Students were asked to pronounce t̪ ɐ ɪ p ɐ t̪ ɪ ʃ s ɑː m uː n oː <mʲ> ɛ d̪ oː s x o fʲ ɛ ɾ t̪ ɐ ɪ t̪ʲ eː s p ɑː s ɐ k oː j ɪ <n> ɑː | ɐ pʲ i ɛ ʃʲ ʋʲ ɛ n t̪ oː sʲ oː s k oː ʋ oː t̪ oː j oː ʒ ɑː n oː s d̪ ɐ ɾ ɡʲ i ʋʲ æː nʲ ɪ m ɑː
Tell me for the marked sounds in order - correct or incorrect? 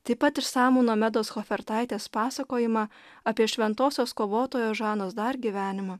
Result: correct, incorrect

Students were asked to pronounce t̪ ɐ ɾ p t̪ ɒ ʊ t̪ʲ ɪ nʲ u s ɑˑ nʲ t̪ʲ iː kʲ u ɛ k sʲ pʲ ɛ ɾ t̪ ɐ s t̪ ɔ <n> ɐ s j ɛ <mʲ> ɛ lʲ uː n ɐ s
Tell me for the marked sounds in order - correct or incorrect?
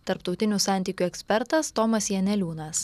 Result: incorrect, incorrect

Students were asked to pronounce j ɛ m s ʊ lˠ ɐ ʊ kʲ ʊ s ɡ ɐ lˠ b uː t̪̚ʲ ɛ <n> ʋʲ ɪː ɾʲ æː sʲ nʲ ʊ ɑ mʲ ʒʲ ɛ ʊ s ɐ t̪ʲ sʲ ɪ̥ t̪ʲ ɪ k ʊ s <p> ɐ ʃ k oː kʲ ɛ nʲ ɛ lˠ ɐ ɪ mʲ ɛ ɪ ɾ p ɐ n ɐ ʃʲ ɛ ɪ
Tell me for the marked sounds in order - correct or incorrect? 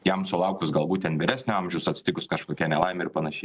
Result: correct, incorrect

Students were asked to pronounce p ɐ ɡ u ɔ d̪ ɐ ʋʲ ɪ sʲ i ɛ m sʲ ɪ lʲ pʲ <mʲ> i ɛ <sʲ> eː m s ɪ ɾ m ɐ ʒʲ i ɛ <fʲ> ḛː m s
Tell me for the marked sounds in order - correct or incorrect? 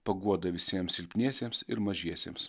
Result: incorrect, correct, incorrect

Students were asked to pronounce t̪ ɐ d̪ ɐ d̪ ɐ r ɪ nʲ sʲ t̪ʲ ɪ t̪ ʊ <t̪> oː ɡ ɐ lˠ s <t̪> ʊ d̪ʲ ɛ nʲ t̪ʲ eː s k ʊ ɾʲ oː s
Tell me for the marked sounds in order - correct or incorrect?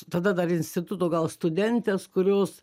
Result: correct, correct

